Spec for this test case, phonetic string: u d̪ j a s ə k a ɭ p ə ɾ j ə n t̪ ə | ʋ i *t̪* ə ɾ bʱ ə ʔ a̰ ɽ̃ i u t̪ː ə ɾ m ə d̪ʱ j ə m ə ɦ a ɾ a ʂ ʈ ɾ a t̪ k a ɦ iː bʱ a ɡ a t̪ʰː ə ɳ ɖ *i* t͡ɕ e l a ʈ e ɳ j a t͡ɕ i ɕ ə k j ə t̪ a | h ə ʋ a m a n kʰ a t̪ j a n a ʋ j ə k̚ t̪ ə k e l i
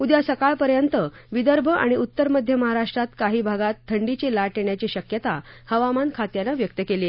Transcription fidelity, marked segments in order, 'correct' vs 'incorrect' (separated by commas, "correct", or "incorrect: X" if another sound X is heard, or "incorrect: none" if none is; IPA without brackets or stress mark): incorrect: d̪, correct